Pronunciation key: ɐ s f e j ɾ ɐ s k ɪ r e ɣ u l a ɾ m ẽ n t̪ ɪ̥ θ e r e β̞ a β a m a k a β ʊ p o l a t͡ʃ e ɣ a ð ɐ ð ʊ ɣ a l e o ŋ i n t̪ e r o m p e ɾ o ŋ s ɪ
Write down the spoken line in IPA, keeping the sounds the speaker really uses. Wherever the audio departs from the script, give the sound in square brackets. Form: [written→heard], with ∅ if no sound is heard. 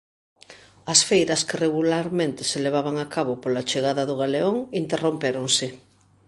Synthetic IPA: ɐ s f e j ɾ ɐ s k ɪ r e ɣ u l a ɾ m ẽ n t̪ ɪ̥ [θ→s] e [r→l] e β̞ a β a [m→ŋ] a k a β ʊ p o l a t͡ʃ e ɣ a ð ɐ ð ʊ ɣ a l e o ŋ i n t̪ e r o m p e ɾ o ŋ s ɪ